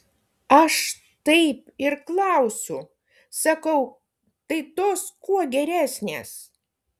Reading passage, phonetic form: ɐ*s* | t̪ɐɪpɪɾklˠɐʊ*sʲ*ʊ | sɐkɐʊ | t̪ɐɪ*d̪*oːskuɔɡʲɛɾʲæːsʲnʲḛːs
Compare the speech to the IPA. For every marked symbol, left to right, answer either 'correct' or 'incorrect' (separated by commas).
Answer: incorrect, correct, incorrect